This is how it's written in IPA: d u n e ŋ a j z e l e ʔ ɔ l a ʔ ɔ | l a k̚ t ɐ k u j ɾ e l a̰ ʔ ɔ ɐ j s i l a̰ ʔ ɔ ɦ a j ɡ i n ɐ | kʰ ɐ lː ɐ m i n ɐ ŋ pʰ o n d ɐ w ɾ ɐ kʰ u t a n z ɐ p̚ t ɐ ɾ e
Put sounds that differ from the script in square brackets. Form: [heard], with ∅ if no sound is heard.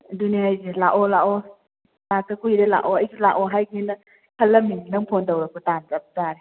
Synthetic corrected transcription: d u n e ŋ a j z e l [a] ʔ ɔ l a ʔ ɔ | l a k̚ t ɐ k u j ɾ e l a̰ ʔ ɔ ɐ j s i l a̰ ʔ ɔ ɦ a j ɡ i n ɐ | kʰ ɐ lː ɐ m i n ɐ ŋ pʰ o n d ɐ w ɾ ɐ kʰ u t a n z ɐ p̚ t [a] ɾ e